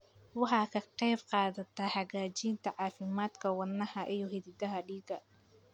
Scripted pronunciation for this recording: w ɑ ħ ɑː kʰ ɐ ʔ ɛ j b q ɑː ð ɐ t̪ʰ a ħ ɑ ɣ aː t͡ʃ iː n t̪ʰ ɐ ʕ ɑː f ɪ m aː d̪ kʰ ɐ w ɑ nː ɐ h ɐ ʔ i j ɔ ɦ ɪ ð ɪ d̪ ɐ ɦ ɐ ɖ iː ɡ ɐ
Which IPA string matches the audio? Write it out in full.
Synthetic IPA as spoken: w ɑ ħ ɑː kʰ ɐ q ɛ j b q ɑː ð ɐ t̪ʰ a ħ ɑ ɣ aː t͡ʃ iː n t̪ʰ ɐ ʕ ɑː f ɪ m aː d̪ kʰ ɐ w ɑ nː ɐ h ɐ ʔ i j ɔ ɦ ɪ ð ɪ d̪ ɐ ɦ ɐ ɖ iː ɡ ɐ

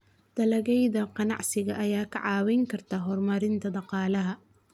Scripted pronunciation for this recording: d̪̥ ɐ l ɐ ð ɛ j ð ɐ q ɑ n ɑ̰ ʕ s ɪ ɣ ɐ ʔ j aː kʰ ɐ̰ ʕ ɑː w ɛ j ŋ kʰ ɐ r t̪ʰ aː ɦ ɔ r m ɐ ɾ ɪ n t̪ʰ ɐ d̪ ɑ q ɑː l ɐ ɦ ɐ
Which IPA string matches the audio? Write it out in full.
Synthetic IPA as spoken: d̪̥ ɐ l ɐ ɣ ɛ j ð ɐ q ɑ n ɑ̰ ʕ s ɪ ɣ ɐ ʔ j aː kʰ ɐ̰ ʕ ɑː w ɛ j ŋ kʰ ɐ r t̪ʰ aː ɦ ɔ r m ɐ ɾ ɪ n t̪ʰ ɐ d̪ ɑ q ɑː l ɐ ɦ ɐ

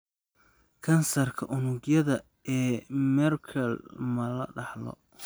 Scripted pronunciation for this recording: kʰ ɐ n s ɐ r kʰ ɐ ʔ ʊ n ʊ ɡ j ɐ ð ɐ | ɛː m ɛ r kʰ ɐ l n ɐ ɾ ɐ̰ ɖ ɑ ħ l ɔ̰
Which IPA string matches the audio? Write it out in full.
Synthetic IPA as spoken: kʰ ɐ n s ɐ r kʰ ɐ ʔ ʊ n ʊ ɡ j ɐ ð ɐ | ɛː m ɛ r kʰ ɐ l m ɐ l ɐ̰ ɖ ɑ ħ l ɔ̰

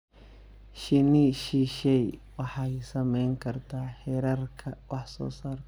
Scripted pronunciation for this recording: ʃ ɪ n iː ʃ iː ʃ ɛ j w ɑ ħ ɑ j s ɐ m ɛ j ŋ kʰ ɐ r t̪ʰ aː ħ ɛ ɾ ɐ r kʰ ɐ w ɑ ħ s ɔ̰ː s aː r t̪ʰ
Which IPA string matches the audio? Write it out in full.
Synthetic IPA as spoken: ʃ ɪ n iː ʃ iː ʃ ɛ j w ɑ ħ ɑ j s ɐ m ɛ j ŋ kʰ ɐ r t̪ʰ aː ħ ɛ ɾ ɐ r kʰ ɐ w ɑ ħ s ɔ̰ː s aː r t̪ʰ

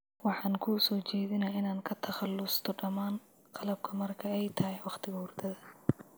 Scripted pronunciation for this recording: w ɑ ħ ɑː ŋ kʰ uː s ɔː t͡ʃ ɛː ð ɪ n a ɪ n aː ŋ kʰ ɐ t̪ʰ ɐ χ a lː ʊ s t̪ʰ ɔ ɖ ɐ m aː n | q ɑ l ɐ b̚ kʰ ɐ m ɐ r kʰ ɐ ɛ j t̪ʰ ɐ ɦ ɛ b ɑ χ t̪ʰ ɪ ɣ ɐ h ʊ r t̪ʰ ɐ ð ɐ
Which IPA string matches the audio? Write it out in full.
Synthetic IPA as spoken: w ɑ ħ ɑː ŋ kʰ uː s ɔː t͡ʃ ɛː ð ɪ n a ɪ n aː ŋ kʰ ɐ t̪ʰ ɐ χ ɑ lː ʊ s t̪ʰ ɔ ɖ ɐ m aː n | q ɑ l ɐ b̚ kʰ ɐ m ɐ r kʰ ɐ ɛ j t̪ʰ ɐ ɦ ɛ w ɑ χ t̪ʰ ɪ ɣ ɐ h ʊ r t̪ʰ ɐ ð ɐ

